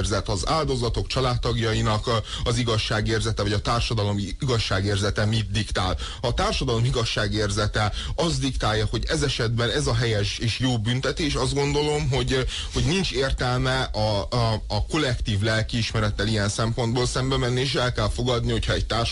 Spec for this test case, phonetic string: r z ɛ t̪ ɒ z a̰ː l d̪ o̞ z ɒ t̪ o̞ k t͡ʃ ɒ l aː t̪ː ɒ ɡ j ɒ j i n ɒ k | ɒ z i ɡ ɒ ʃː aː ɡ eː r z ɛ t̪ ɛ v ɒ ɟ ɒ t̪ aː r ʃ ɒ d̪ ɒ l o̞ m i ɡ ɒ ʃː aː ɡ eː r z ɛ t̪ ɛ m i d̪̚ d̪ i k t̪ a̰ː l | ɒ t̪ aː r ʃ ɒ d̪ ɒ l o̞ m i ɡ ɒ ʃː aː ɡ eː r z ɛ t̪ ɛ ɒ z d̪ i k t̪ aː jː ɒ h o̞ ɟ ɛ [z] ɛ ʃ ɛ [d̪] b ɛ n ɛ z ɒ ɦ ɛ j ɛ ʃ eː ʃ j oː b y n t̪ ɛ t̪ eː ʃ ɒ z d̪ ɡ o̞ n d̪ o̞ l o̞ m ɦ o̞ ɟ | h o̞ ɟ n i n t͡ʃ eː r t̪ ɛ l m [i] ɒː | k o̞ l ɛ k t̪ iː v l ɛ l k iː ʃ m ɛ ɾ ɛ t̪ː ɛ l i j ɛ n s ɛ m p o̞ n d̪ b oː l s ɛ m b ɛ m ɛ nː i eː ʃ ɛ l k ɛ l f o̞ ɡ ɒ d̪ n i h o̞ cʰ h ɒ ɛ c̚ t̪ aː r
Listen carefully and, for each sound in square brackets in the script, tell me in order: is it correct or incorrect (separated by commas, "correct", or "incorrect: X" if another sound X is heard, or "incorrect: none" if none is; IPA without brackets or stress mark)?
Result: correct, correct, incorrect: ɛ